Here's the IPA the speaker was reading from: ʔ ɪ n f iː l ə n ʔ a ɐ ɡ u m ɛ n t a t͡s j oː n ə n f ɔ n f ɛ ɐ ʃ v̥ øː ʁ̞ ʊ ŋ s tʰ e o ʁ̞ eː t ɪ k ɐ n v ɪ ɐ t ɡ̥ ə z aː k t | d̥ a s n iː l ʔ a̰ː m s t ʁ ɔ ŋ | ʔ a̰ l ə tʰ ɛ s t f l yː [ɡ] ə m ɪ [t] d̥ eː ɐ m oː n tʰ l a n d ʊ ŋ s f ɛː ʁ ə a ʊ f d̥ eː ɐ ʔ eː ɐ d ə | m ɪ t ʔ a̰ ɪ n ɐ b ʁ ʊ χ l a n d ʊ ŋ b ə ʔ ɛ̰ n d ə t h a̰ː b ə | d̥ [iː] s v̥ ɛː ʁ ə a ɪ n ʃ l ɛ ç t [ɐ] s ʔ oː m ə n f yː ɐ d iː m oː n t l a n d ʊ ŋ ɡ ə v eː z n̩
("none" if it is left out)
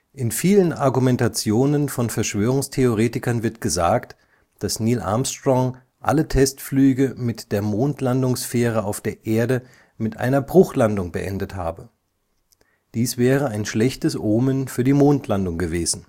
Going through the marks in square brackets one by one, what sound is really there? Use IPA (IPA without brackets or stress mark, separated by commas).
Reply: ɡ, t, iː, ə